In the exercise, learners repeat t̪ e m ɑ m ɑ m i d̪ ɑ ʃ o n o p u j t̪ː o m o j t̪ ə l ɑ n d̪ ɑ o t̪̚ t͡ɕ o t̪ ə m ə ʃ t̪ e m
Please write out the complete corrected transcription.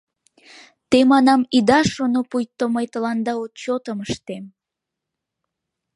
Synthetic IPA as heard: t̪ e m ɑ n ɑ m i d̪ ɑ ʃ o n o p u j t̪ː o m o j t̪ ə l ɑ n d̪ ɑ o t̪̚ t͡ɕ o t̪ ə m ə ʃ t̪ e m